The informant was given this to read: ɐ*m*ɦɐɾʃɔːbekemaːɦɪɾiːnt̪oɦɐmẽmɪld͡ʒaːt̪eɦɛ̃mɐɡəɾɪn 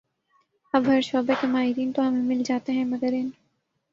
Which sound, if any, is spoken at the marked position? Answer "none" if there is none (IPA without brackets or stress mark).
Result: b